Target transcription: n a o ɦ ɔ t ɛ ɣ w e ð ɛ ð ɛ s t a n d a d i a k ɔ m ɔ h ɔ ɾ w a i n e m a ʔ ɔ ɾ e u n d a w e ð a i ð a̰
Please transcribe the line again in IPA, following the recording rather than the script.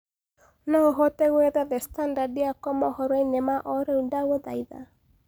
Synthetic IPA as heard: n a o ɦ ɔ t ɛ ɣ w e ð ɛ ð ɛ s t a n d a d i a k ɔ m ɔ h ɔ ɾ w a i n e m a ʔ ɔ ɾ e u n d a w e ð a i ð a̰